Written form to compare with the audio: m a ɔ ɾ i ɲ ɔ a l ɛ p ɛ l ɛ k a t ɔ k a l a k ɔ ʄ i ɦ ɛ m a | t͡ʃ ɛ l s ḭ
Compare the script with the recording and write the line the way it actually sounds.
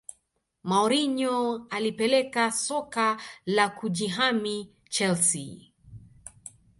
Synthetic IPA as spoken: m a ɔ ɾ i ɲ ɔ a l i p ɛ l ɛ k a s ɔ k a l a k u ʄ i ɦ a m i | t͡ʃ ɛ l s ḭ